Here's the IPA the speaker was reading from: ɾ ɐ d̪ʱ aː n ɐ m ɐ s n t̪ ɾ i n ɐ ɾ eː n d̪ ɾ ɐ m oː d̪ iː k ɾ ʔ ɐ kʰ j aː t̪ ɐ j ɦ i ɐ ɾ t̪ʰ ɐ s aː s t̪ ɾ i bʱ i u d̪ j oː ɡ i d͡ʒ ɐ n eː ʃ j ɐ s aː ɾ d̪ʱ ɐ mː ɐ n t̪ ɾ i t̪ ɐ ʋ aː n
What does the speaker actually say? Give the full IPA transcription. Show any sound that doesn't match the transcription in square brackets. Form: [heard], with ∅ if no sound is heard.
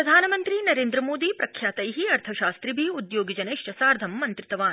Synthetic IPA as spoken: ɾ ɐ d̪ʱ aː n ɐ m ɐ [∅] n t̪ ɾ i n ɐ ɾ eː n d̪ ɾ ɐ m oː d̪ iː [p] ɾ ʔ ɐ kʰ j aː t̪ ɐ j ɦ i ɐ ɾ t̪ʰ ɐ [ʃ] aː s t̪ ɾ i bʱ i u d̪ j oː ɡ i d͡ʒ ɐ n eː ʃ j ɐ s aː ɾ d̪ʱ ɐ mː ɐ n t̪ ɾ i t̪ ɐ ʋ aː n